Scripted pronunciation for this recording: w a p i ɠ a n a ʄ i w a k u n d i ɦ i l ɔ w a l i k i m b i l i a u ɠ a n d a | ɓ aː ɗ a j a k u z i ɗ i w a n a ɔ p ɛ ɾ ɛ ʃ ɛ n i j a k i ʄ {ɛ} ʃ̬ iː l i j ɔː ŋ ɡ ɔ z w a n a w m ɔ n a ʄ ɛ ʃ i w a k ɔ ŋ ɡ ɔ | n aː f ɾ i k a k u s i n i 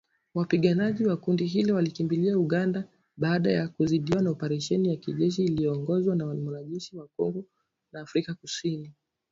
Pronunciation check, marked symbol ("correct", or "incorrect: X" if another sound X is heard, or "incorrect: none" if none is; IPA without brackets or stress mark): correct